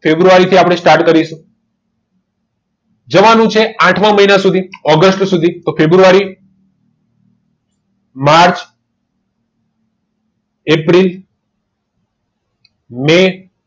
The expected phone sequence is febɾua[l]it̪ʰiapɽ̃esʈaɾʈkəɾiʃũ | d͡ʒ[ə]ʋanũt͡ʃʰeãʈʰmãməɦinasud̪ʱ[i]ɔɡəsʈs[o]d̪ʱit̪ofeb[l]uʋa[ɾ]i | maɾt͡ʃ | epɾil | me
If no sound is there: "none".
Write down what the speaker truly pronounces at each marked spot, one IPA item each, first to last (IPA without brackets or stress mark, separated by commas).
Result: ɾ, ə, i, u, ɾ, ɾ